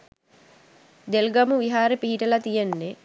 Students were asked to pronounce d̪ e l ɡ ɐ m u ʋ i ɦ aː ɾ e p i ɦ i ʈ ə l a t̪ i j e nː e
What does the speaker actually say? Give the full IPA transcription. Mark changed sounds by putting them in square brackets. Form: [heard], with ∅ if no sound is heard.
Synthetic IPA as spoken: d̪ e l ɡ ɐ m u ʋ i ɦ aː ɾ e p i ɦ i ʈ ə l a t̪ i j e nː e